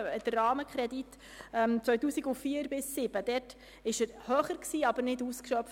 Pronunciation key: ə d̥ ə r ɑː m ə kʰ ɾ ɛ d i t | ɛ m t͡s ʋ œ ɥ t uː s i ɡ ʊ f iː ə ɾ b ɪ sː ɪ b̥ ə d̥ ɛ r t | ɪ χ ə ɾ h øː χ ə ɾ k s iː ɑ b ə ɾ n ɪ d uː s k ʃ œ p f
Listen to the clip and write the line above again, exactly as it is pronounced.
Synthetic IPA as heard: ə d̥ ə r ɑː m ə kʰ ɾ ɛ d i t | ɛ m t͡s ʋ œ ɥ t uː s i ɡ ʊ f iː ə ɾ b ɪ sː ɪ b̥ ə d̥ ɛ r t | ɪ ʃ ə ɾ h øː χ ə ɾ k s iː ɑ b ə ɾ n ɪ d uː s k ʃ œ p f